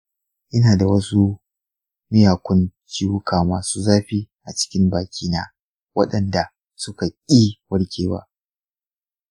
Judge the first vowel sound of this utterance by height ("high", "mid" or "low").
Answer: high